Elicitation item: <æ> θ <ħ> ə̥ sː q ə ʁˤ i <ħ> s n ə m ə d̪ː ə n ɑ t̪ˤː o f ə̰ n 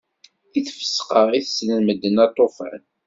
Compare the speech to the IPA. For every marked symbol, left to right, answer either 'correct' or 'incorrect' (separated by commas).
incorrect, incorrect, incorrect